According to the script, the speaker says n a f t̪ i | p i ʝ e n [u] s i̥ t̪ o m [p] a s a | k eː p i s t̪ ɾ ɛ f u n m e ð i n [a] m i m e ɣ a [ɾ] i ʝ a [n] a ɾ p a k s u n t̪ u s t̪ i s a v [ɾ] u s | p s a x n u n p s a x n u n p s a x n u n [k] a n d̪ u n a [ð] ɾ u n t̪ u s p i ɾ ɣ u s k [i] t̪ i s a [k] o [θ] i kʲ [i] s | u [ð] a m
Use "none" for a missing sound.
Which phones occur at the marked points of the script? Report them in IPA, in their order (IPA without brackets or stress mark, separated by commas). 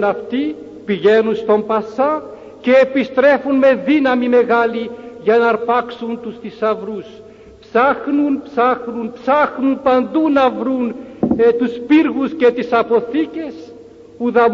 u, p, a, l, n, ɾ, p, v, e, p, θ, e, ð